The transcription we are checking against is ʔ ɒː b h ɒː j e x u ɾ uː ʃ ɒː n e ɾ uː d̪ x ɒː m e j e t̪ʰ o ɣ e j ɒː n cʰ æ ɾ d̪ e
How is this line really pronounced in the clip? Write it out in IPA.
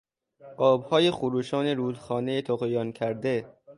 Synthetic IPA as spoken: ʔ ɒː b h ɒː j e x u ɾ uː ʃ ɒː n e ɾ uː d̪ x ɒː n e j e t̪ʰ o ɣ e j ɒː n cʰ æ ɾ d̪ e